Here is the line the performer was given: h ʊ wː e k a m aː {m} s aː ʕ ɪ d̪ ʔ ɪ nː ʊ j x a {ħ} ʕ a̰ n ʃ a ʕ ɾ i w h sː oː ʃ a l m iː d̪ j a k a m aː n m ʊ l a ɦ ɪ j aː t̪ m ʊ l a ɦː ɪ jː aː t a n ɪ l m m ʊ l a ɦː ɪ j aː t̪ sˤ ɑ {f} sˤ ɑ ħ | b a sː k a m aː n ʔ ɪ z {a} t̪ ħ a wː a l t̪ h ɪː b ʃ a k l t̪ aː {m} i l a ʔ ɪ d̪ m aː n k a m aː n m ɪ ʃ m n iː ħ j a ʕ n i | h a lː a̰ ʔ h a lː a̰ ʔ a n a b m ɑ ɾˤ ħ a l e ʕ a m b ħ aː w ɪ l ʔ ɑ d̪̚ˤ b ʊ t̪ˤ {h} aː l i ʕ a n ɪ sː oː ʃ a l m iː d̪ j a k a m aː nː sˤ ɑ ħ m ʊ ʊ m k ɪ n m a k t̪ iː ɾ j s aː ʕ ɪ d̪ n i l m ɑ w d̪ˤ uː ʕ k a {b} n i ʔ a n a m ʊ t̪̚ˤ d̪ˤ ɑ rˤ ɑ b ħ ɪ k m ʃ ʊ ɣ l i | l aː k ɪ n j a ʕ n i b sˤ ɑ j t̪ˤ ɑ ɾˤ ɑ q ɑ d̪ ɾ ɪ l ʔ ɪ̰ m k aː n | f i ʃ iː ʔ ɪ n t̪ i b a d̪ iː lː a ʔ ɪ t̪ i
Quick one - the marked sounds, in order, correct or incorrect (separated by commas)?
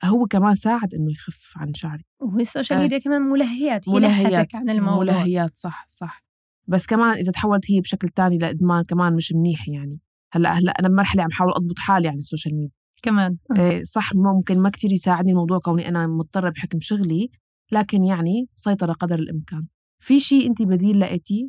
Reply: incorrect, incorrect, incorrect, correct, incorrect, incorrect, incorrect